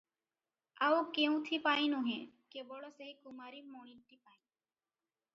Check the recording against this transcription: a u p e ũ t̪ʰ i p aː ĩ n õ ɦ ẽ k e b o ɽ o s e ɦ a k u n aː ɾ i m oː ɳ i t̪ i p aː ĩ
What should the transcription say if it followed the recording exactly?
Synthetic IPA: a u k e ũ t̪ʰ i p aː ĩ n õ ɦ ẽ k e b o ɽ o s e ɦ i k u m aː ɾ i m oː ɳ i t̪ i p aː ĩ